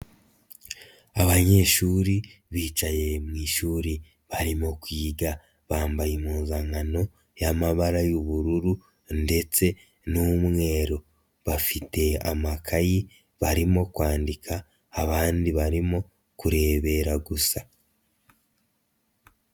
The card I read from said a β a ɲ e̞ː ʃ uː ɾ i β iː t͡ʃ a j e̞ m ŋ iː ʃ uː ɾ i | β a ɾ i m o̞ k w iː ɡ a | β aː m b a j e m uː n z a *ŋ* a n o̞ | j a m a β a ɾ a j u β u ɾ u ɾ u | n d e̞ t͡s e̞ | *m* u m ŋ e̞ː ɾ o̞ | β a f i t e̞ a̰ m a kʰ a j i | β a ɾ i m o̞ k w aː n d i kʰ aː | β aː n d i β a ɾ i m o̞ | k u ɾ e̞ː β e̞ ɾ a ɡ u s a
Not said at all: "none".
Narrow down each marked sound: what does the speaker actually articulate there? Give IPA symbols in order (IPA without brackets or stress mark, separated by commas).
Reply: ŋ, n